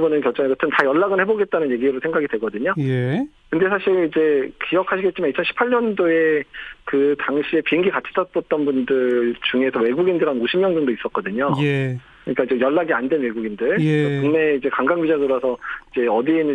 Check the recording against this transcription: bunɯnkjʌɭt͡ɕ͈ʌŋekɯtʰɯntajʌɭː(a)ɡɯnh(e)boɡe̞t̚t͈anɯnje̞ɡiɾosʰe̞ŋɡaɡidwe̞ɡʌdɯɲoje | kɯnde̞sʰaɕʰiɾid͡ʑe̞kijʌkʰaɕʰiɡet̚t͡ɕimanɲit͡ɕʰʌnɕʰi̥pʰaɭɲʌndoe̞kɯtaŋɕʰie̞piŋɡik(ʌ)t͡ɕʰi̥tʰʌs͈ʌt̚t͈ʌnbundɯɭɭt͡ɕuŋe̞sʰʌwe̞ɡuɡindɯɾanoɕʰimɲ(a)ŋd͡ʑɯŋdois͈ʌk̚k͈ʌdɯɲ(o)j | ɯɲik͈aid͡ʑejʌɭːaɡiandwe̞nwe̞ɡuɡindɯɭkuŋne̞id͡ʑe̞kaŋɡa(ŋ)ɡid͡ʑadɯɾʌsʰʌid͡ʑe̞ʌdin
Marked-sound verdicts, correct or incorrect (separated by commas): correct, correct, incorrect, incorrect, correct, correct